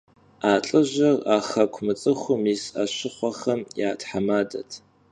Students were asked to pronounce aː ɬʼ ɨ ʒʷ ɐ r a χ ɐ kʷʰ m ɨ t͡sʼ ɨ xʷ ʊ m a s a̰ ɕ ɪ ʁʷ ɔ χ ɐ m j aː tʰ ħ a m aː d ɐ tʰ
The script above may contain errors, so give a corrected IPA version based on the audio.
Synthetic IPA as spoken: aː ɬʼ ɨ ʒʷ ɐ r a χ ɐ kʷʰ m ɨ t͡sʼ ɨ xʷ ʊ m i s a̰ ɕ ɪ χʷ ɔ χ ɐ m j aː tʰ ħ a m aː d ɐ tʰ